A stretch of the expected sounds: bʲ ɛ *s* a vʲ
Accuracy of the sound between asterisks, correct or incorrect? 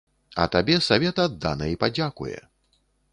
correct